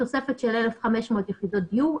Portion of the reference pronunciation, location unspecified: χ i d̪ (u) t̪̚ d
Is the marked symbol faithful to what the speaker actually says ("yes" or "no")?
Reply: no